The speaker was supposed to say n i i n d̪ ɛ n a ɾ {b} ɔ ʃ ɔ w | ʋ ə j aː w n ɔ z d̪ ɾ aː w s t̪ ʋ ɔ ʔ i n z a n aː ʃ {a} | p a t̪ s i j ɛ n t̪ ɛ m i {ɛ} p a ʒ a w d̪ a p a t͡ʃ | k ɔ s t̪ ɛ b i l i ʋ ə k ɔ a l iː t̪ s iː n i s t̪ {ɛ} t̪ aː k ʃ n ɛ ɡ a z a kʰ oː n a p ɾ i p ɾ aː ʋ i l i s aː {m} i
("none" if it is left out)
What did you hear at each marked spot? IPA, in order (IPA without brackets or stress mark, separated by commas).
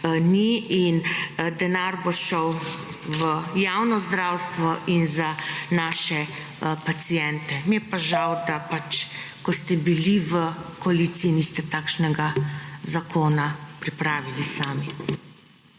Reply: b, ɛ, ɛ, ɛ, m